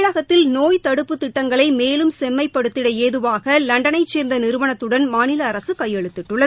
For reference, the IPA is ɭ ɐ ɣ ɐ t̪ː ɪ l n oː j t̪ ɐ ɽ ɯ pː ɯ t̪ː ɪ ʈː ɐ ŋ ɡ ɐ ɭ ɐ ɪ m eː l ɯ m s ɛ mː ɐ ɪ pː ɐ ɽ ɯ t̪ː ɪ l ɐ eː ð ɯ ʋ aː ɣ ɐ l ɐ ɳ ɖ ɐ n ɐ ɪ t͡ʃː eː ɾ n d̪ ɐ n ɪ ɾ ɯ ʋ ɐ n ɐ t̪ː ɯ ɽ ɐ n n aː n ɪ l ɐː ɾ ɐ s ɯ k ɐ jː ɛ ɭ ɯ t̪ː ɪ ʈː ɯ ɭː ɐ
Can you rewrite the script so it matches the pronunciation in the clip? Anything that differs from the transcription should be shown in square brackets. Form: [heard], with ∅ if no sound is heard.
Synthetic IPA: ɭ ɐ ɣ ɐ t̪ː ɪ l n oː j t̪ ɐ ɽ ɯ pː ɯ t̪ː ɪ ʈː ɐ ŋ ɡ ɐ ɭ ɐ ɪ m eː l ɯ m s ɛ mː ɐ ɪ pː ɐ ɽ ɯ t̪ː ɪ [ɽ] ɐ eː ð ɯ ʋ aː ɣ ɐ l ɐ ɳ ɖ ɐ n ɐ ɪ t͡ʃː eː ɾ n d̪ ɐ n ɪ ɾ ɯ ʋ ɐ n ɐ t̪ː ɯ ɽ ɐ n [m] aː n ɪ l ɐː ɾ ɐ s ɯ k ɐ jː ɛ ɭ ɯ t̪ː ɪ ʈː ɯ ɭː ɐ